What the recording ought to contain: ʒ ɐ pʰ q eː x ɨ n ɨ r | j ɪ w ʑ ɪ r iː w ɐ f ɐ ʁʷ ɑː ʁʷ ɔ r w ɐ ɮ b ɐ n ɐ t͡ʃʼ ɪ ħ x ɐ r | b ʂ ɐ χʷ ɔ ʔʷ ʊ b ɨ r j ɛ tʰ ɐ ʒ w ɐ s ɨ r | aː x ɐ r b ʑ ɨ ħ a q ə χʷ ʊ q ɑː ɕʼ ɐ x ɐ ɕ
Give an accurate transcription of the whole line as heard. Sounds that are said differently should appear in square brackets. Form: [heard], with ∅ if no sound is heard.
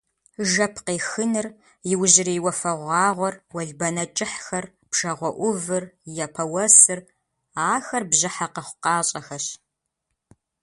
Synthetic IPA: ʒ ɐ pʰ q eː x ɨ n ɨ r | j ɪ w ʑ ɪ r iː w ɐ f ɐ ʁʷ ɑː ʁʷ ɔ r w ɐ ɮ b ɐ n ɐ t͡ʃʼ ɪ ħ x ɐ r | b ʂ ɐ [ʁʷ] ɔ ʔʷ ʊ [v] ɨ r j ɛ [pʰ] ɐ [∅] w ɐ s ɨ r | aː x ɐ r b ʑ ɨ ħ a q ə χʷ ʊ q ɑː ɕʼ ɐ x ɐ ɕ